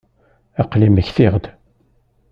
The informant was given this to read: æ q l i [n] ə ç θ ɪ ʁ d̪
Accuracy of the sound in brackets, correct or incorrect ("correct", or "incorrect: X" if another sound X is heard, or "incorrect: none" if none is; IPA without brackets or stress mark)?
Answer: incorrect: m